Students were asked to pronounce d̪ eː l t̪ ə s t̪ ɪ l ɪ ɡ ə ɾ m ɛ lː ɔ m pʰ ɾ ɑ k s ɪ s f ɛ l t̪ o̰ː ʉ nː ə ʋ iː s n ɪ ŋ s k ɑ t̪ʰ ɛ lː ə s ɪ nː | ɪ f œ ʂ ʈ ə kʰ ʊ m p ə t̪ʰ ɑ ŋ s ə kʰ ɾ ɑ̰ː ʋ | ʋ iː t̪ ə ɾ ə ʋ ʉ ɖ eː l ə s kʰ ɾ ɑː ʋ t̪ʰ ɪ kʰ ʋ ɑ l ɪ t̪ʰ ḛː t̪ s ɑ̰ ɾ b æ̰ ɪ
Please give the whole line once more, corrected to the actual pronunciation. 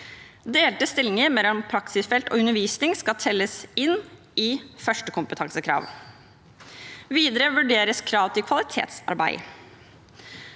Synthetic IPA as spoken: d̪ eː l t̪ ə s t̪ ɪ l ɪ ŋ ə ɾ m ɛ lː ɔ m pʰ ɾ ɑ k s ɪ s f ɛ l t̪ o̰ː ʉ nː ə ʋ iː s n ɪ ŋ s k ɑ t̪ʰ ɛ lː ə s ɪ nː | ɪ f œ ʂ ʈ ə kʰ ʊ m p ə t̪ʰ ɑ ŋ s ə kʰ ɾ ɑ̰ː ʋ | ʋ iː d̪ ə ɾ ə ʋ ʉ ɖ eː ɾ ə s kʰ ɾ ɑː ʋ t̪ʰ ɪ kʰ ʋ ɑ l ɪ t̪ʰ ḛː t̪ s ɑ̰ ɾ b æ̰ ɪ